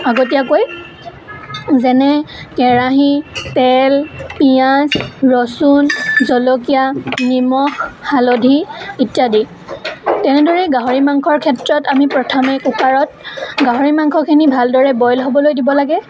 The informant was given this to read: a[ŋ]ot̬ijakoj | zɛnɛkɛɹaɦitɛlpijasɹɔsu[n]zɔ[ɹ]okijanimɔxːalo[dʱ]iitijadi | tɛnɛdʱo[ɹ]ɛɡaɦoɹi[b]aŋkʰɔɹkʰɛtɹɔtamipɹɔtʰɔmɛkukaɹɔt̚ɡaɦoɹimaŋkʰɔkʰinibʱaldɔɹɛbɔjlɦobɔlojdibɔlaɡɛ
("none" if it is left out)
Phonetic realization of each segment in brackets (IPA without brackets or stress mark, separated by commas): ɡ, n, l, dʱ, ɹ, m